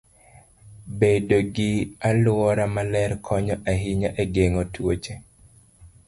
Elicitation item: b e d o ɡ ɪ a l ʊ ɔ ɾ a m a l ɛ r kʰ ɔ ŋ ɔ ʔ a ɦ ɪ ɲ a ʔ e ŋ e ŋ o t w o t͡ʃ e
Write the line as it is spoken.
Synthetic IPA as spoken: b e d o ɡ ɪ a l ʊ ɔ ɾ a m a l ɛ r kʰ ɔ ɲ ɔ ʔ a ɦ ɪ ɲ a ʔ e ɡ e ŋ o t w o t͡ʃ e

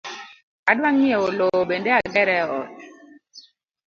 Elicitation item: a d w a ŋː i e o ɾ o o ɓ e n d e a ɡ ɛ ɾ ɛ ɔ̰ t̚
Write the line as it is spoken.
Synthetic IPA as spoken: a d w a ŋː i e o l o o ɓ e n d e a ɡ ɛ ɾ ɛ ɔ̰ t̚

